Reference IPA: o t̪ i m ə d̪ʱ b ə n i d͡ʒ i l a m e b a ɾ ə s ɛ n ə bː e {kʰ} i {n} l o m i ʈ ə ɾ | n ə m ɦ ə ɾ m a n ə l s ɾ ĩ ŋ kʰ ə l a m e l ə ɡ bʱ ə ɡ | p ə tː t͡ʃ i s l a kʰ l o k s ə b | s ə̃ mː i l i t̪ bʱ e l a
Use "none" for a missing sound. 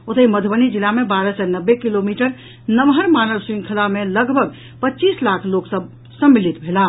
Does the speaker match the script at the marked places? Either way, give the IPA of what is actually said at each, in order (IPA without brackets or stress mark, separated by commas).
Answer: k, none